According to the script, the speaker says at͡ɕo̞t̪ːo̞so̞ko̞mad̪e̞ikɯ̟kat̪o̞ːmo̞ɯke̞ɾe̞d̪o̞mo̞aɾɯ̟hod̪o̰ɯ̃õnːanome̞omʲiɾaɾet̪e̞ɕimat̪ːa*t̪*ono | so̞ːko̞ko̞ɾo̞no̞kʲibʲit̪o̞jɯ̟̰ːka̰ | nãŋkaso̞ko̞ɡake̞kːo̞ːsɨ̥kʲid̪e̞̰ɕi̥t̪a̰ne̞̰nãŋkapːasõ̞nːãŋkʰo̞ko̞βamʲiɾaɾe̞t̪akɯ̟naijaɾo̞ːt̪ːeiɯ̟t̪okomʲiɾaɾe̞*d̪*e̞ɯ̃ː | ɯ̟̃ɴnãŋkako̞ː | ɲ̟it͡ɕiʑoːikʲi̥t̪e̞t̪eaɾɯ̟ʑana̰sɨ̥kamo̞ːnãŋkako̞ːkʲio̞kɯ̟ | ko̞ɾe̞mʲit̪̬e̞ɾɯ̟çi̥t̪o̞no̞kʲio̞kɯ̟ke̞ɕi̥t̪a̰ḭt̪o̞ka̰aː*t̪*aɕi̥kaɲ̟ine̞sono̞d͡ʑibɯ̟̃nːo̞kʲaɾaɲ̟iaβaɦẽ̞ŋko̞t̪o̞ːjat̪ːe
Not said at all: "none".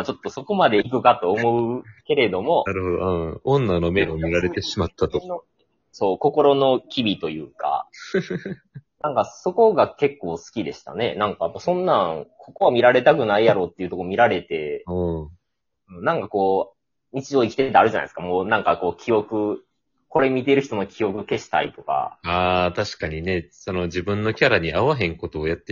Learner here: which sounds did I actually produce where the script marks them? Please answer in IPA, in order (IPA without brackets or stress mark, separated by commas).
t̪, t̪, t̪